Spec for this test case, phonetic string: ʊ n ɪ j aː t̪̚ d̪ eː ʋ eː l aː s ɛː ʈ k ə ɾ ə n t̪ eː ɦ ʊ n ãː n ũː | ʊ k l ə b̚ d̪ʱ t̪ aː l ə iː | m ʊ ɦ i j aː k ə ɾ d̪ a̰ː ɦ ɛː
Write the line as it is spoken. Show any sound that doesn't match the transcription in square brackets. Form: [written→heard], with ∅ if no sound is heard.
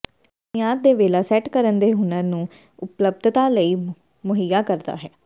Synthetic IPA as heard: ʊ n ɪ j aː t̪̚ d̪ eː ʋ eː l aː s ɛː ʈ k ə ɾ ə n [t̪→d̪] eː ɦ ʊ n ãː n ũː | ʊ [k→p] l ə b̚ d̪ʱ t̪ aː l ə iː | m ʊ ɦ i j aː k ə ɾ d̪ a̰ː ɦ ɛː